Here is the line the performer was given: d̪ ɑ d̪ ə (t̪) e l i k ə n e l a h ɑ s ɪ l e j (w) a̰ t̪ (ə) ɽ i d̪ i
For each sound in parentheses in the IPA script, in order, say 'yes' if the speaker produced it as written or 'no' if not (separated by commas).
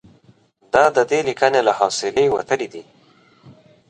no, yes, yes